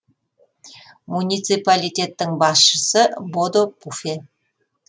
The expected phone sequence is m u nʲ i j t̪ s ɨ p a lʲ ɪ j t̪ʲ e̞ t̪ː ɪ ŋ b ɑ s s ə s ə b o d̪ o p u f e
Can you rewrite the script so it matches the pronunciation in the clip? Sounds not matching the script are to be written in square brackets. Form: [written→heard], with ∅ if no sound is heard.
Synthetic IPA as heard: m u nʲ i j t̪ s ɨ p a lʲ [ɪ→i] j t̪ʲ e̞ t̪ː ɪ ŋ b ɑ s [s→ʃ] ə s ə b o d̪ o p u f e